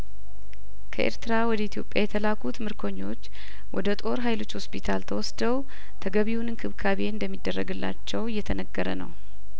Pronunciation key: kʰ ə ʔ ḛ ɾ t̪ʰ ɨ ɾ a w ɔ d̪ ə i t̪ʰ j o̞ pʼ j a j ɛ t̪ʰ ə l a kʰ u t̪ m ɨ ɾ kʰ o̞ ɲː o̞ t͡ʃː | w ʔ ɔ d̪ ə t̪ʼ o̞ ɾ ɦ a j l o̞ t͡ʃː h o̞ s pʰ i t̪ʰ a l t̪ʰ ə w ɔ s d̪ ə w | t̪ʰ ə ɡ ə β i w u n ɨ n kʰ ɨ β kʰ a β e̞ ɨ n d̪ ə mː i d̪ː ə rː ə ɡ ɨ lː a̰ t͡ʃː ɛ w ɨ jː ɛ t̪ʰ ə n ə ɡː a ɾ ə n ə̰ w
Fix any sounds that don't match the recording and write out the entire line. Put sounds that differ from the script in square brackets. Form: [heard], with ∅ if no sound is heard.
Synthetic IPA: kʰ ə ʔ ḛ ɾ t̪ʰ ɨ ɾ a w ɔ d̪ ə i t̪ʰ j o̞ pʼ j a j ɛ t̪ʰ ə l a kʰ u t̪ m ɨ ɾ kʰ o̞ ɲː o̞ t͡ʃː | w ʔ ɔ d̪ ə t̪ʼ o̞ ɾ ɦ a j l o̞ t͡ʃː h o̞ s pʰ i t̪ʰ a l t̪ʰ ə w ɔ s d̪ ə w | t̪ʰ ə ɡ ə β i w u n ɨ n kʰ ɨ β kʰ a β e̞ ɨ n d̪ ə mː i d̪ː ə rː ə ɡ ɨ lː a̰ t͡ʃː ɛ w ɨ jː ɛ t̪ʰ ə n ə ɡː [ə] ɾ ə n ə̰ w